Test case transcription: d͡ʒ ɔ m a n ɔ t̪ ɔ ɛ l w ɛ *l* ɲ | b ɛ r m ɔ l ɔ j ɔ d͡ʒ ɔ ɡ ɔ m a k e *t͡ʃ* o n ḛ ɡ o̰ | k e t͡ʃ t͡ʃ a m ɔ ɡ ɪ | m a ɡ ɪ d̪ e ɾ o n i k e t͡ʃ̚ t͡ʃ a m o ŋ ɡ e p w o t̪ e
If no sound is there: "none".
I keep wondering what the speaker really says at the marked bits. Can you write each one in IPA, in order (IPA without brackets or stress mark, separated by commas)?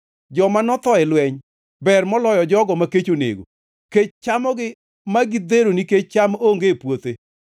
none, t͡ʃ